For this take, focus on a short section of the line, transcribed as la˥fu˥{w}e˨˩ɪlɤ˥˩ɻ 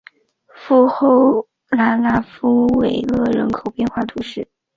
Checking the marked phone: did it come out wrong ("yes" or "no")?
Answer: no